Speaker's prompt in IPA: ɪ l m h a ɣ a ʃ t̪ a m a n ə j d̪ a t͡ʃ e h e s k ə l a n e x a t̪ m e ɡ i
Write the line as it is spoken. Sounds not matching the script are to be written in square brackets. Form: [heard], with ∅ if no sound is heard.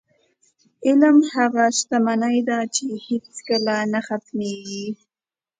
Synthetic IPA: ɪ l m h a ɣ a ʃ t̪ a m a n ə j d̪ a t͡ʃ e h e [t͡s] k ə l a n [a] x a t̪ m e ɡ i